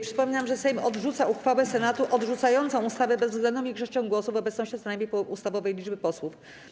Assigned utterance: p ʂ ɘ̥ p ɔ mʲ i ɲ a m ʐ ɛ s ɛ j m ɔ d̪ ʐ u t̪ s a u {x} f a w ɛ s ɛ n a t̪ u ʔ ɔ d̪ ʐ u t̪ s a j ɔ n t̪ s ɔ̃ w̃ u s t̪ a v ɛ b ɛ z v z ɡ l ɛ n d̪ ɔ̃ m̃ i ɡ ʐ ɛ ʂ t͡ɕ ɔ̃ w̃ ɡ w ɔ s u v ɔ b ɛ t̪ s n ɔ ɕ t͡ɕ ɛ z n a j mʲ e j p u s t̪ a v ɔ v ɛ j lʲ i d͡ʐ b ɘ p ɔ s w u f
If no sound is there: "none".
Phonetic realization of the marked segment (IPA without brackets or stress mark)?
x